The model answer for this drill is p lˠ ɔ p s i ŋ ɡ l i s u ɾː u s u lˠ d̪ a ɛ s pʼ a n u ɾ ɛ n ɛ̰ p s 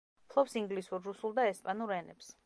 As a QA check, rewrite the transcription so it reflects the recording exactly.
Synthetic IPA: pʰ lˠ ɔ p s i ŋ ɡ l i s u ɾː u s u lˠ d̪ a ɛ s pʼ a n u ɾ ɛ n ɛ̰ p s